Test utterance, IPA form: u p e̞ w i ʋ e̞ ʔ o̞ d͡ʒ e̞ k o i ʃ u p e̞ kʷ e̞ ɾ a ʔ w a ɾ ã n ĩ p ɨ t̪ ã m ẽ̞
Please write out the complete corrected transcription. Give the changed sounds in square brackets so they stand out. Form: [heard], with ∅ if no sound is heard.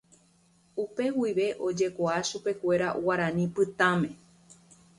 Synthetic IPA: u p e̞ w i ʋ e̞ ʔ o̞ d͡ʒ e̞ k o [a] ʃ u p e̞ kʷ e̞ ɾ a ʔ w a ɾ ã n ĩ p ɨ t̪ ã m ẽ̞